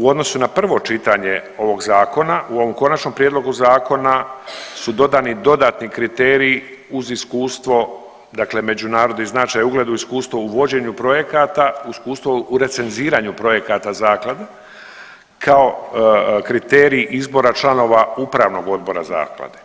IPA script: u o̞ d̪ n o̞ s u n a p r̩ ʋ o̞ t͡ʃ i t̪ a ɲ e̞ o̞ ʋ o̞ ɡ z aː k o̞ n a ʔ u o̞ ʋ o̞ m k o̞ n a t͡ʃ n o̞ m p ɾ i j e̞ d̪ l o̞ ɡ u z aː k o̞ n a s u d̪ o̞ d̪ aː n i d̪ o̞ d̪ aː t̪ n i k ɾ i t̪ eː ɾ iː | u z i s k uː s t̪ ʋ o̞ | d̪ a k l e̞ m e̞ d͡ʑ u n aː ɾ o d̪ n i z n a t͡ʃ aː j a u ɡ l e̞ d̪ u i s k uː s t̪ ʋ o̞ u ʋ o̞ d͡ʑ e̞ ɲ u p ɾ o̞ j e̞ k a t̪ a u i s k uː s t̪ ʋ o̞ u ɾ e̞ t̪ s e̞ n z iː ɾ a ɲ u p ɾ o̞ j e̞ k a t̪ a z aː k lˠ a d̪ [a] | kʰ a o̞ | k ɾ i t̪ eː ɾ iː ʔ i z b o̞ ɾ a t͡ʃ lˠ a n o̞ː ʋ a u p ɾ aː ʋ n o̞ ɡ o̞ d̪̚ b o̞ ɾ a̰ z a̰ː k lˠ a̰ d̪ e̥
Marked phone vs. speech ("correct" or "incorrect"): incorrect